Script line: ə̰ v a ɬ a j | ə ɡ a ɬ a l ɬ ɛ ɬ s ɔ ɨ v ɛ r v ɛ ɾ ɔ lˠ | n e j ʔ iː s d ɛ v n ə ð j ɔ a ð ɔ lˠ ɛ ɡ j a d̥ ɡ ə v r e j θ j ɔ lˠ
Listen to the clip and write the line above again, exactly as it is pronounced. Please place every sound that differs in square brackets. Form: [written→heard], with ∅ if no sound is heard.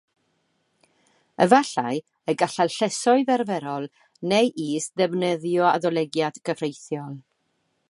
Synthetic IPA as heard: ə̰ v a ɬ a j | ə ɡ a ɬ a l ɬ ɛ [ɬ→∅] s ɔ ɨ [v→ð] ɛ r v ɛ ɾ ɔ lˠ | n e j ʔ iː s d ɛ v n ə ð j ɔ a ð ɔ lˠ ɛ ɡ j a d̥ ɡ ə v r e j θ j ɔ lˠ